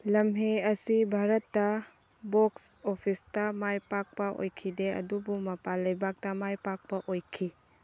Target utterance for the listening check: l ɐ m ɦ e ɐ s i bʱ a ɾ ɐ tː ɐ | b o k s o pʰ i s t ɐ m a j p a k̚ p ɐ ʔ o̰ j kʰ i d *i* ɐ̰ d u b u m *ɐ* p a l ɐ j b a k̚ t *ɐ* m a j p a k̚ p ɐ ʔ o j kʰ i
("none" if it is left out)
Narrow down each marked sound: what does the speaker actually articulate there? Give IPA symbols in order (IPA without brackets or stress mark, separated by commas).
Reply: e, ɐ, ɐ